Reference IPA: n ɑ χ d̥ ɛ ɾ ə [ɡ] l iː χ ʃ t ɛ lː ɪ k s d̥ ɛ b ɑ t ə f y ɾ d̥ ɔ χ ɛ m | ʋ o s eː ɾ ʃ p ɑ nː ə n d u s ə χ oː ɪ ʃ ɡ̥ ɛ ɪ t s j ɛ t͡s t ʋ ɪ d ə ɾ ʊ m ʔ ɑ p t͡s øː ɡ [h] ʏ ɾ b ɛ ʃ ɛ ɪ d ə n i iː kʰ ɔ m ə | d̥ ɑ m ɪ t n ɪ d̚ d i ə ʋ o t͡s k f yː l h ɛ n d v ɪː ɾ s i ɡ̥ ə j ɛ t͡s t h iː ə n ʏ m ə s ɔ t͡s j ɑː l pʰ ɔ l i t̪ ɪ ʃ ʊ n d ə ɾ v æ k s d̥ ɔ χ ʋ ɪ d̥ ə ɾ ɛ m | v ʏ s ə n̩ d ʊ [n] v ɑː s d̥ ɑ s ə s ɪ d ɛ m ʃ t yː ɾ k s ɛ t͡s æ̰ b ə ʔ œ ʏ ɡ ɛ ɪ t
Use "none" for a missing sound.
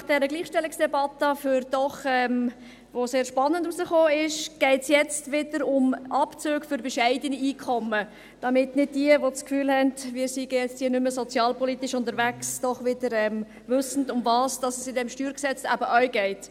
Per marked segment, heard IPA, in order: ɡ, f, m

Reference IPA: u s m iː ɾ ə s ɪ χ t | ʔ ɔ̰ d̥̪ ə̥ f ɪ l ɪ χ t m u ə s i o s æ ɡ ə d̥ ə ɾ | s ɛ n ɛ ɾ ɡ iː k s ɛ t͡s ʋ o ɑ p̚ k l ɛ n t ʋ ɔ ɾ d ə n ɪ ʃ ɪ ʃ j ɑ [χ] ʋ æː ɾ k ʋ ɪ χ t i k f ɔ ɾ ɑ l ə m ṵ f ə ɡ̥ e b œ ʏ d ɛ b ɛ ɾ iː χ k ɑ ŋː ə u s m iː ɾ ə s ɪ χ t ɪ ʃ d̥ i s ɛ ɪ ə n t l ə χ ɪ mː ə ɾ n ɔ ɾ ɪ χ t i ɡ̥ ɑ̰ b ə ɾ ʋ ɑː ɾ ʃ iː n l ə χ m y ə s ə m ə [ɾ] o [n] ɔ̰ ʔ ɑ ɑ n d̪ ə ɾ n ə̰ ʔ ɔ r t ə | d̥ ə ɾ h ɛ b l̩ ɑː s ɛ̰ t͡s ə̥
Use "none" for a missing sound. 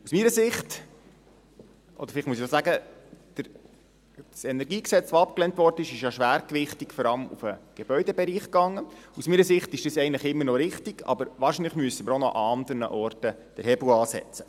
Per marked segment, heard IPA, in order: ʃ, ɾ, n

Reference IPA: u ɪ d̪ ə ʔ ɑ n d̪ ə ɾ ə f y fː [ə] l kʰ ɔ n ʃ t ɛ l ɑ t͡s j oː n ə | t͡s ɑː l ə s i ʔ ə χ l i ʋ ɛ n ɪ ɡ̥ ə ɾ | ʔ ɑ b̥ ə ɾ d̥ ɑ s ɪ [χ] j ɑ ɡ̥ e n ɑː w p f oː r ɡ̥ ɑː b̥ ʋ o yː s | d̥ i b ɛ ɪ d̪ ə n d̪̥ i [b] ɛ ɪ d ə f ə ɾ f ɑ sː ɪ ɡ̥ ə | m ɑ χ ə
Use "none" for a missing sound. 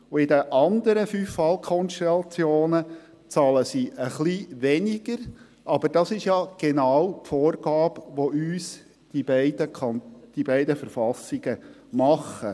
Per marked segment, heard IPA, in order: ɑ, ʃ, b

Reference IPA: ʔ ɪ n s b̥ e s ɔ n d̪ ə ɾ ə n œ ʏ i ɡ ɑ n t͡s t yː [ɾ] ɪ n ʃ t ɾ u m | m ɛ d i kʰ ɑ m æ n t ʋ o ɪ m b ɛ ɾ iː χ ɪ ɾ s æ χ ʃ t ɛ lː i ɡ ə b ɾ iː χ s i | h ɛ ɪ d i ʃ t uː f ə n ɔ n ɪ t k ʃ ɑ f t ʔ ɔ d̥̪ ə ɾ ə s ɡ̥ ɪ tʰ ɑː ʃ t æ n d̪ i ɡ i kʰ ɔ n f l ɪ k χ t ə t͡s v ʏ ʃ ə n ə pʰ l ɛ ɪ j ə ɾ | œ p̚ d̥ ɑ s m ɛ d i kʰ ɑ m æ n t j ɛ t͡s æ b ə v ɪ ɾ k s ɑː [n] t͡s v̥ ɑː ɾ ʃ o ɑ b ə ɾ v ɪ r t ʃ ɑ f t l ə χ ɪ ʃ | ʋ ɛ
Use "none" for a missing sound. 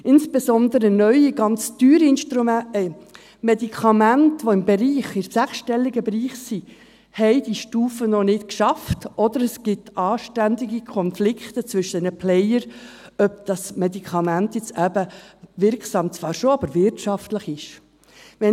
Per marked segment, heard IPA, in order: ɾ, m

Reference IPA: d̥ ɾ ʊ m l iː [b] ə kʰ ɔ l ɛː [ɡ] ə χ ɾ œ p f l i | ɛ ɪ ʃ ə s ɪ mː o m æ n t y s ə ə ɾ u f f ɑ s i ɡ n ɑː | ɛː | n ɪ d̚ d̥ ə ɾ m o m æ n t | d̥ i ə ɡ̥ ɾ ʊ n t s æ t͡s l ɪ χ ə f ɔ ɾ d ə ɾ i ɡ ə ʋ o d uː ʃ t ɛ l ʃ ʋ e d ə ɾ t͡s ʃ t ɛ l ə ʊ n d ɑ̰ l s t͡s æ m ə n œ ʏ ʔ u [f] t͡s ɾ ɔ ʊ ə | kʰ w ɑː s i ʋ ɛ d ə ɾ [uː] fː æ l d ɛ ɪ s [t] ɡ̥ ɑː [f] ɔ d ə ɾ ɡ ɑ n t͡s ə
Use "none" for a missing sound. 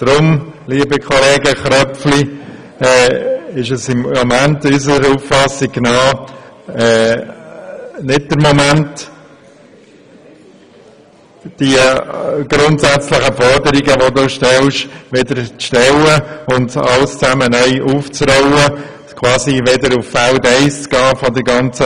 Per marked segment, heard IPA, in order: b, ɡ, f, u, t͡s, f

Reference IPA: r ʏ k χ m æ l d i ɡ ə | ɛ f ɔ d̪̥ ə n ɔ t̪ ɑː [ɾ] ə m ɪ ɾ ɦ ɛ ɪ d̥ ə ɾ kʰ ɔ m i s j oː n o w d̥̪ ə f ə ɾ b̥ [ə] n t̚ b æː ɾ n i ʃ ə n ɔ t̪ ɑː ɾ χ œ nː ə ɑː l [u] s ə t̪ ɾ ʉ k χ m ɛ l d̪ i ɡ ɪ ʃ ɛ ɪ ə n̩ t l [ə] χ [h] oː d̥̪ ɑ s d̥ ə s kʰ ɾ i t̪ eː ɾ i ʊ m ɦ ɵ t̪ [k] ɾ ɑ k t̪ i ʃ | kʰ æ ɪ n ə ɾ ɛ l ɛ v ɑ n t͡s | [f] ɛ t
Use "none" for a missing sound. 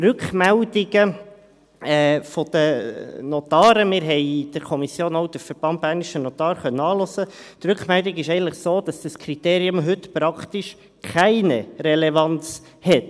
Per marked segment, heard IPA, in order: ɾ, ɑ, ɔ, ə, s, p, h

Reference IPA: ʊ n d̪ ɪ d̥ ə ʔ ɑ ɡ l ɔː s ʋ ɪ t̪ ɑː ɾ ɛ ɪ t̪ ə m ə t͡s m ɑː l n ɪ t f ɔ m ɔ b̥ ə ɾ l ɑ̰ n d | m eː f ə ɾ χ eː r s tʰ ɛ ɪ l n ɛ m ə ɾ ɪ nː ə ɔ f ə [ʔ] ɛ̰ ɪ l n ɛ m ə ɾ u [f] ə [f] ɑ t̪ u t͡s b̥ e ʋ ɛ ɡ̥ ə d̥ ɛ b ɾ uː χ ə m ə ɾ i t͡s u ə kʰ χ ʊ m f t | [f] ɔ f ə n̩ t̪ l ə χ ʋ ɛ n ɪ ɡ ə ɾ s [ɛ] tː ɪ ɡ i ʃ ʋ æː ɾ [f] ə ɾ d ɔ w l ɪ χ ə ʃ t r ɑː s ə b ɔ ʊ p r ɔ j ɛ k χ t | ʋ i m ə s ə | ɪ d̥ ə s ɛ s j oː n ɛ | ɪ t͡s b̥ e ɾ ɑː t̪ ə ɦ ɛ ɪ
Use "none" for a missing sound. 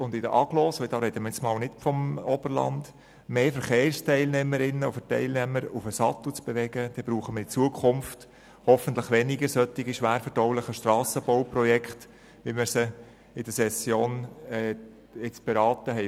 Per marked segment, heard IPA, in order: t, f, s, h, œ, f

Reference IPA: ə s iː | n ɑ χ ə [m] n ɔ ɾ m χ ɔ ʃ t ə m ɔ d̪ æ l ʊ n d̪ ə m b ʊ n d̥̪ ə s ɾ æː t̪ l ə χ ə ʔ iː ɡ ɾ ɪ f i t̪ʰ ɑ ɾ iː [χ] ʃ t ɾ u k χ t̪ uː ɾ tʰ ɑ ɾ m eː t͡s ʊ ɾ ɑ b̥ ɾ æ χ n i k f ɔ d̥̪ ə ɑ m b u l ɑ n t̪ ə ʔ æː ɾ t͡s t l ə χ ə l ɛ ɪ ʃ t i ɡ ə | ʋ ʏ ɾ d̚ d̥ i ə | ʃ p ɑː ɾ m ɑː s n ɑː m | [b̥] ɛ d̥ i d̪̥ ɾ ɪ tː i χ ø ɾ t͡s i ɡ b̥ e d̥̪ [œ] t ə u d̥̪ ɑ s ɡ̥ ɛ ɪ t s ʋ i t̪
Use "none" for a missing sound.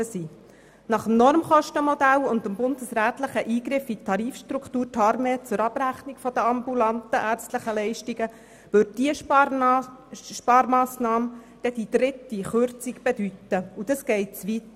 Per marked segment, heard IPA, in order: m, f, d̥, y

